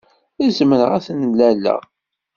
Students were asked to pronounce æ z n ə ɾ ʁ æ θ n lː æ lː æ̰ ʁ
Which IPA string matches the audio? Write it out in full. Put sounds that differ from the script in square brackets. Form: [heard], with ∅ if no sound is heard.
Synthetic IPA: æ z [m] ə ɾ ʁ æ θ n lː æ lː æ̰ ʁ